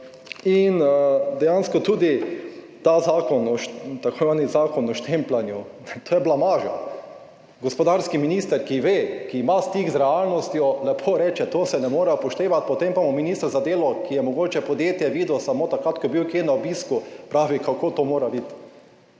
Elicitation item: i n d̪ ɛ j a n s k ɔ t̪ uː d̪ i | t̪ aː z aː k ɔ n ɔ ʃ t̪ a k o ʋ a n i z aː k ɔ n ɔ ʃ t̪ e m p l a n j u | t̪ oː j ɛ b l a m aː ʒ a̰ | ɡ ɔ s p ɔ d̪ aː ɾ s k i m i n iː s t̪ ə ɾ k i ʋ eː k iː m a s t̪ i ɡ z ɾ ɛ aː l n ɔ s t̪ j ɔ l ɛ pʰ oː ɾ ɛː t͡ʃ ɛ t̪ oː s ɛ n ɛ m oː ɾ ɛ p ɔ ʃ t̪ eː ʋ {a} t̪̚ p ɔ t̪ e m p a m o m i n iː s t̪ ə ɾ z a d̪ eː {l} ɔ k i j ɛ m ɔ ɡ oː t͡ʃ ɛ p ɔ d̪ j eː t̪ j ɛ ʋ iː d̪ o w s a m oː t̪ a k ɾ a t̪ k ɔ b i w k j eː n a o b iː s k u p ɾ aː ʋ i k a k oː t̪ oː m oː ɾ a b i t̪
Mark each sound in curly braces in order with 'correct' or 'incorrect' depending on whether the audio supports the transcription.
correct, correct

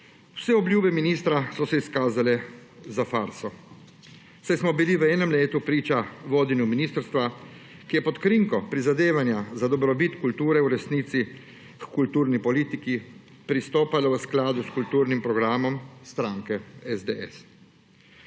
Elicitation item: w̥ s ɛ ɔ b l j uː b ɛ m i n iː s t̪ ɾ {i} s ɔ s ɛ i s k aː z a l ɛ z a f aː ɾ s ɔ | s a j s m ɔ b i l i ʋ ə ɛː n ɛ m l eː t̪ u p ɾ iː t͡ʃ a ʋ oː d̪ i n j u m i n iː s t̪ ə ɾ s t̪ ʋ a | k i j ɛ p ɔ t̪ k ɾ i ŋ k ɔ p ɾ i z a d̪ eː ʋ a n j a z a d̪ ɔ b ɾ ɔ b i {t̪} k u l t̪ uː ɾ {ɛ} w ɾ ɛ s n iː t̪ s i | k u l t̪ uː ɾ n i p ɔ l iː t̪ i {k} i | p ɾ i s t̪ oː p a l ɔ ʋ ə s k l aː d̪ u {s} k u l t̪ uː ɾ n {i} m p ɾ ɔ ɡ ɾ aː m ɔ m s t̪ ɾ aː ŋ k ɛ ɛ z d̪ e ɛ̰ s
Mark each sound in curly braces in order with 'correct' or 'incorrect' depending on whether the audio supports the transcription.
incorrect: a, correct, correct, correct, correct, correct

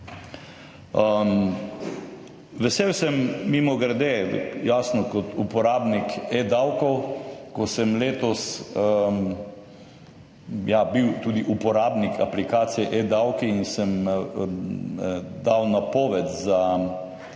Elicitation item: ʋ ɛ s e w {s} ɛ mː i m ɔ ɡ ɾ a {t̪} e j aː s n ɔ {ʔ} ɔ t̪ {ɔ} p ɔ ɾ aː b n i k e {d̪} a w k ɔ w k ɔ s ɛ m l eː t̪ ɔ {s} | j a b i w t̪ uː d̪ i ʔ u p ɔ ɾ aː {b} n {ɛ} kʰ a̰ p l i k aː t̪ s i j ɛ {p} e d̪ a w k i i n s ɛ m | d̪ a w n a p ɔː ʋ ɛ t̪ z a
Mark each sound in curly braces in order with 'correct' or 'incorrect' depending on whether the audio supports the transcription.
correct, incorrect: d̪, incorrect: k, incorrect: u, correct, correct, correct, incorrect: i, incorrect: ʔ

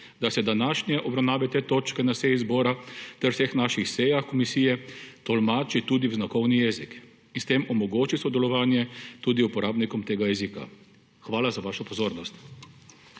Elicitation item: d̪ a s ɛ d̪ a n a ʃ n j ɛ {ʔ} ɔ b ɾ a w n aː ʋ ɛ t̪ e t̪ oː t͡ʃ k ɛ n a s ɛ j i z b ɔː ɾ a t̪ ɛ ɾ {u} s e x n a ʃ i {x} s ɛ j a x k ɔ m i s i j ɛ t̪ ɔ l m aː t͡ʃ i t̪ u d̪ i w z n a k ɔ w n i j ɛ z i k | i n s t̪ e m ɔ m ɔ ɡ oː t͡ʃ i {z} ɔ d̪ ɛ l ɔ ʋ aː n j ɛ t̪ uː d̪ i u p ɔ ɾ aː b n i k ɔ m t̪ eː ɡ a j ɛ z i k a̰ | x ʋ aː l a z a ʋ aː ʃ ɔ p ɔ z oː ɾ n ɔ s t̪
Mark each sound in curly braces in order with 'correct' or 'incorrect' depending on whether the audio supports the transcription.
correct, incorrect: w, correct, incorrect: s

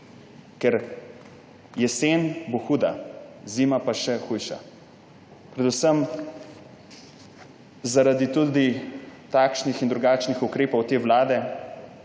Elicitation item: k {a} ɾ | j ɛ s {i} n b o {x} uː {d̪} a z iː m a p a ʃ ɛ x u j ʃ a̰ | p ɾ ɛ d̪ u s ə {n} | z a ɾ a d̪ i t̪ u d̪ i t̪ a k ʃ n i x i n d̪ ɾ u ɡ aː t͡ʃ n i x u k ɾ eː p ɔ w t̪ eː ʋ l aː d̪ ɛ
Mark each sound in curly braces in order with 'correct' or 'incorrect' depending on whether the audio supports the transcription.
incorrect: ɛ, incorrect: e, correct, correct, incorrect: m

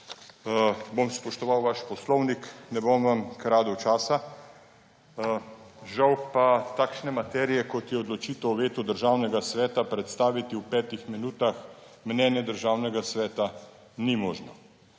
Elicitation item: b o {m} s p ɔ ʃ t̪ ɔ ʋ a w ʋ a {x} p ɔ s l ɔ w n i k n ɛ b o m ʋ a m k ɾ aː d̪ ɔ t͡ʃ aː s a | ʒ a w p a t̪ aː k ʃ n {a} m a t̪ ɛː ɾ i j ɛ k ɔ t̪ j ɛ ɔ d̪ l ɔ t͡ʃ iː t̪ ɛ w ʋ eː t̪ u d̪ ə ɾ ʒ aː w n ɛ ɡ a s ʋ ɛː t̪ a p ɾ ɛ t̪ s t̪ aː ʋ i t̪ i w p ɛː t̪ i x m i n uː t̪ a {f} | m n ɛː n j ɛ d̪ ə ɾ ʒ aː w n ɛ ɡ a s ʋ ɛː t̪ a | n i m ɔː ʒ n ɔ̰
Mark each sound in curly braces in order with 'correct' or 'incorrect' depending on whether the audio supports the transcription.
correct, incorrect: ʃ, incorrect: ɛ, incorrect: x

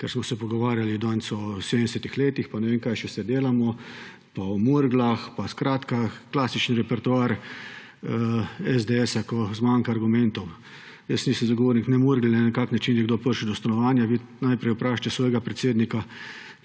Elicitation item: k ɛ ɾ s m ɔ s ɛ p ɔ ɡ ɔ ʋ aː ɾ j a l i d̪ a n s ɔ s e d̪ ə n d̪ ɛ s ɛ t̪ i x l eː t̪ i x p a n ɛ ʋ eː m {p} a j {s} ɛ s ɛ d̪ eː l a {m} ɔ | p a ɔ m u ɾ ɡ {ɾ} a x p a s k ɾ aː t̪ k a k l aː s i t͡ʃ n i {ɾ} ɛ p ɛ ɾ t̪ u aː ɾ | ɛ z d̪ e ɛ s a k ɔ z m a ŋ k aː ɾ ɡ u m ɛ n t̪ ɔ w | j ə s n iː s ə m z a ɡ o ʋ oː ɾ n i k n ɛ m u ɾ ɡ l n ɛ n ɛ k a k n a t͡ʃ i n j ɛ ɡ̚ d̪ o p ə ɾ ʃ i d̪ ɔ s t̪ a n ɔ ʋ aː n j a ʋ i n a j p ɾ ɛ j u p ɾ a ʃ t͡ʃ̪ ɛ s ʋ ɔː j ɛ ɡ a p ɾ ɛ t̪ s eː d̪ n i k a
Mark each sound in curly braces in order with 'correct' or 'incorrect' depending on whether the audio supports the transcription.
incorrect: k, incorrect: ʃ, correct, incorrect: l, correct

